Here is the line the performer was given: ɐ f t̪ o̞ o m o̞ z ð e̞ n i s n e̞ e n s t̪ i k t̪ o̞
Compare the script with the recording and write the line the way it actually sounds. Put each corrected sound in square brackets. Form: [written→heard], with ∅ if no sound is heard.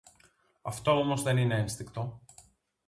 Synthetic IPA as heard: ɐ f t̪ o̞ o m o̞ z ð e̞ n i [s→∅] n e̞ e n s t̪ i k t̪ o̞